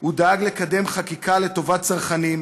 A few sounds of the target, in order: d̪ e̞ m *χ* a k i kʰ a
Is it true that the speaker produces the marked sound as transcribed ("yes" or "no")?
yes